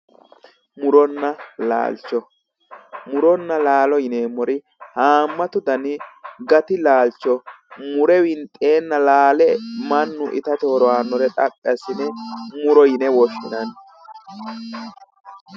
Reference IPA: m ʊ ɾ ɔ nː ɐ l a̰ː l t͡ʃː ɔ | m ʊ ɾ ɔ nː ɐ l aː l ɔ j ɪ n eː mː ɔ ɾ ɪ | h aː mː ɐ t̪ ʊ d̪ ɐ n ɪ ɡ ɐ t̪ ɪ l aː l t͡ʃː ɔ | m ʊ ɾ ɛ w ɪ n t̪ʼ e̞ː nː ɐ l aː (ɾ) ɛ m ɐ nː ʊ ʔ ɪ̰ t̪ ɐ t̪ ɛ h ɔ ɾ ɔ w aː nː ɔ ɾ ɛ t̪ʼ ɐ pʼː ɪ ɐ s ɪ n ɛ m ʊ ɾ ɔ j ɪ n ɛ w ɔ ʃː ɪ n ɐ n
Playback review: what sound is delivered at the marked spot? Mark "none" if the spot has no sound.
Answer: l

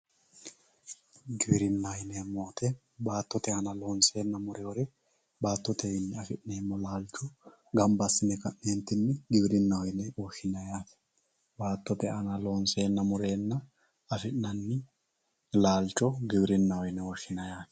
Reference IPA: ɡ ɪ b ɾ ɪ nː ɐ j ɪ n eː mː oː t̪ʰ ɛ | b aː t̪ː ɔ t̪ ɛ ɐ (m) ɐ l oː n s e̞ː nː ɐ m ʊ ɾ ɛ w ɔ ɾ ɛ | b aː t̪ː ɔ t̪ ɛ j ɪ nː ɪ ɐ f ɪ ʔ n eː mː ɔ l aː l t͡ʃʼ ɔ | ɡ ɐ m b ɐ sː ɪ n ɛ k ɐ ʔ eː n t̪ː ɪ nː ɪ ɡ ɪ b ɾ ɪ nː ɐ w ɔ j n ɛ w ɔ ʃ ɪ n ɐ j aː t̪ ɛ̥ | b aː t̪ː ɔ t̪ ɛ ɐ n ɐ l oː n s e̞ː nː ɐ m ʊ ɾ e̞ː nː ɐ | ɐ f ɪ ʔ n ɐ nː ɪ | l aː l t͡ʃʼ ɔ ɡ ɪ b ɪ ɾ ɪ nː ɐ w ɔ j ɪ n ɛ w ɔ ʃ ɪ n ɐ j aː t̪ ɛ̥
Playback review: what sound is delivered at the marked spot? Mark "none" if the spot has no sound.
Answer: n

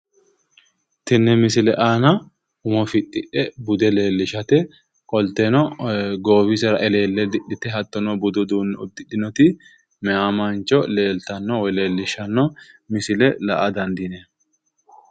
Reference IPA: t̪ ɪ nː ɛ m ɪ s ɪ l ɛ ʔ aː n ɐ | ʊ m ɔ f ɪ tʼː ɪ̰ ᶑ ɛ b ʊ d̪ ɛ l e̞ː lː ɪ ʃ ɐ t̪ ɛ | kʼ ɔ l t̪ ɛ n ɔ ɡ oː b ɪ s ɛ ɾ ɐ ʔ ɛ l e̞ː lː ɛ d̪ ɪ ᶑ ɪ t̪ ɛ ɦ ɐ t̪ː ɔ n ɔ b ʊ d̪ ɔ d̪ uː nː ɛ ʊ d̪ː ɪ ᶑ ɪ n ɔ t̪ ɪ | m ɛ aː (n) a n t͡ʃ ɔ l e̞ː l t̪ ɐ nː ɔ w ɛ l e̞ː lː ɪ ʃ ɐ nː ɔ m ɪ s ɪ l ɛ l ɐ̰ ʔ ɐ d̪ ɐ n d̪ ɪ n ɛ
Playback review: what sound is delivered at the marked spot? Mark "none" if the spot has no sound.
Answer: m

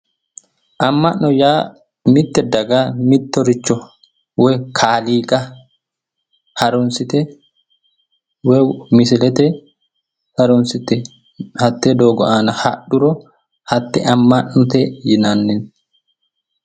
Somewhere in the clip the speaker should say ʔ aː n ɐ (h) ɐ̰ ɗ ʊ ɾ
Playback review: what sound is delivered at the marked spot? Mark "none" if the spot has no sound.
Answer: h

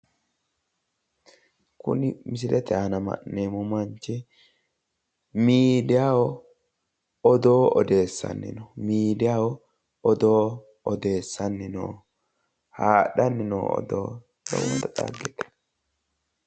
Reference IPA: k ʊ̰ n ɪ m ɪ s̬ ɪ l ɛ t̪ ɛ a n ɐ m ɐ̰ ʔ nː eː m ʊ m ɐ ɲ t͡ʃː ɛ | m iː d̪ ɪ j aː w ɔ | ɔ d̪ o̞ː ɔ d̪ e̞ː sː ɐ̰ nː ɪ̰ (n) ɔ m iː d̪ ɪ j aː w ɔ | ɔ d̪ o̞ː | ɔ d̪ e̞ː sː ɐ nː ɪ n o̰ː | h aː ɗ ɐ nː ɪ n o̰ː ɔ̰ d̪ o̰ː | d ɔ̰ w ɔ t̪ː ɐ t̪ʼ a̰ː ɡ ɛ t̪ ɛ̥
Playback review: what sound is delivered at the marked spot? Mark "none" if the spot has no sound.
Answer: n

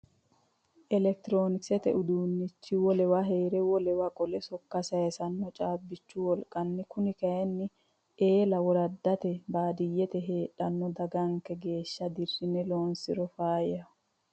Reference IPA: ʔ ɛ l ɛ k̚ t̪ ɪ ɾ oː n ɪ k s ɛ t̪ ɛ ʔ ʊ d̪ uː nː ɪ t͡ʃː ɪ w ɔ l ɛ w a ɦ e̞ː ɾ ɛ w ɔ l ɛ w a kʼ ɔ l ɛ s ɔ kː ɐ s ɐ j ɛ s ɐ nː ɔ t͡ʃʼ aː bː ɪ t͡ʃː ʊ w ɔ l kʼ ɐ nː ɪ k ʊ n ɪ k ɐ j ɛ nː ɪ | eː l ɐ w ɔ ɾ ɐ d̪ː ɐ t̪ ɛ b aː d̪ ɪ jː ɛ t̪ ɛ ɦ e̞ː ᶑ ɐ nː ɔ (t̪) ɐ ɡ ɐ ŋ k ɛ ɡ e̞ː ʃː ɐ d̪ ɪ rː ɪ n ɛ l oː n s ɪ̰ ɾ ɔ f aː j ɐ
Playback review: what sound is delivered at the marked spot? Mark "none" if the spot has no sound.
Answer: d̪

